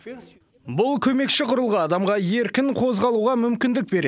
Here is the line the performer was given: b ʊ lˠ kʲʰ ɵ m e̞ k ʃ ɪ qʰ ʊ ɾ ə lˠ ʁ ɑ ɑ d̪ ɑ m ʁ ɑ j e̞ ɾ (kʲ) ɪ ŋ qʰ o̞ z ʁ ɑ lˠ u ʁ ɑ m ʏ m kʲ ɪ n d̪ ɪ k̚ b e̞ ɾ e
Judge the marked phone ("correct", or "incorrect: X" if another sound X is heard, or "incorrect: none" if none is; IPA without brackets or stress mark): correct